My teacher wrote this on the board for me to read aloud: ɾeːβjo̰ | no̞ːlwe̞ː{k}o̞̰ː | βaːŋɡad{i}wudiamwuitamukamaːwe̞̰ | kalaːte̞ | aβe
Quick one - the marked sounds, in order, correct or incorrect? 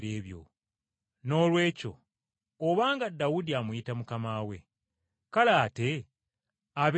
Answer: incorrect: c, incorrect: a

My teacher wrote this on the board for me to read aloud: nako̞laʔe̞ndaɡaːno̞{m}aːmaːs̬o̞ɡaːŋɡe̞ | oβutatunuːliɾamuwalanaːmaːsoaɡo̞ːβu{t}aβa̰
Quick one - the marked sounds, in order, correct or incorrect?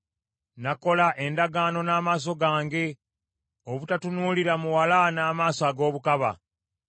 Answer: incorrect: n, incorrect: k

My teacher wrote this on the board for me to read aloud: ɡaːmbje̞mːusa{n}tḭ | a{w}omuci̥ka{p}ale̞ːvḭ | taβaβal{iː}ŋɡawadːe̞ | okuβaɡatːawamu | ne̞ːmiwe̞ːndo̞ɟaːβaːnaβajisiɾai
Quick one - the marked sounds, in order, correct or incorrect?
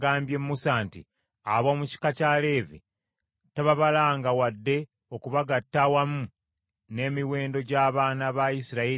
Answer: correct, incorrect: β, incorrect: c, incorrect: aː

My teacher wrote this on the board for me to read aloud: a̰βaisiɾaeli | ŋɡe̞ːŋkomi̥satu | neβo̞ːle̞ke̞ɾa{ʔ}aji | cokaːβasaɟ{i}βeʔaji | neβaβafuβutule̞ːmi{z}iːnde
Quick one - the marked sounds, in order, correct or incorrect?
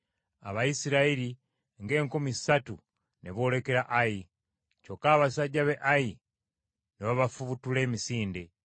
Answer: correct, incorrect: a, incorrect: s

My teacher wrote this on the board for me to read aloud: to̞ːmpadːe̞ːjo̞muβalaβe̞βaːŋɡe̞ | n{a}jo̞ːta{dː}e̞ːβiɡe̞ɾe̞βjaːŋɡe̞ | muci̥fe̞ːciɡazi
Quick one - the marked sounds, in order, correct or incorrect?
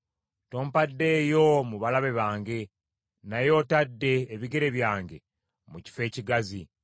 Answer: correct, correct

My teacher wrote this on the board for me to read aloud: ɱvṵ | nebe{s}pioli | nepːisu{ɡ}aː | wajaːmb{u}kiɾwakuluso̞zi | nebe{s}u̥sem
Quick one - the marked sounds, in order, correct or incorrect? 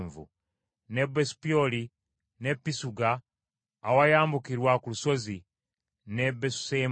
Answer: correct, correct, correct, correct

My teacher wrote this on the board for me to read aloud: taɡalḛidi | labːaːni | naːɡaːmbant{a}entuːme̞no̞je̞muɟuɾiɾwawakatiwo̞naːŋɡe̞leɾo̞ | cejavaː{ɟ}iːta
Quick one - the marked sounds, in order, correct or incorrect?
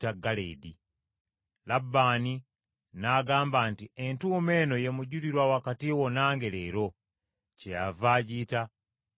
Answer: incorrect: i, correct

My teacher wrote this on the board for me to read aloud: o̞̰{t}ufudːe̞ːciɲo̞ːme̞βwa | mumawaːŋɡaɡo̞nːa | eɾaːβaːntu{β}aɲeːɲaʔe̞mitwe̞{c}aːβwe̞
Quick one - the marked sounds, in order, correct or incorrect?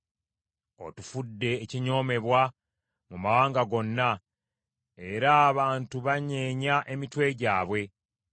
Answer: correct, correct, incorrect: ɟ

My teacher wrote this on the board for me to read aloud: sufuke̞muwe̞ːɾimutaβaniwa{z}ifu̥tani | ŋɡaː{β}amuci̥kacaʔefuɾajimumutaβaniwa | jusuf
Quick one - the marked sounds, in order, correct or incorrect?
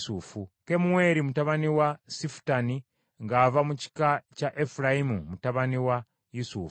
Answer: incorrect: s, incorrect: v

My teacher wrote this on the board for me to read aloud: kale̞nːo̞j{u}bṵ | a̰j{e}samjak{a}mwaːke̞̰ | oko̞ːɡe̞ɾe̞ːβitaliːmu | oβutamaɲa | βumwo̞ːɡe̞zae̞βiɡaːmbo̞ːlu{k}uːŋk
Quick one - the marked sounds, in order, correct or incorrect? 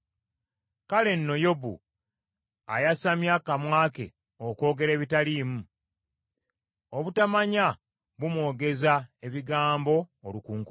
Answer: incorrect: o, incorrect: a, correct, correct

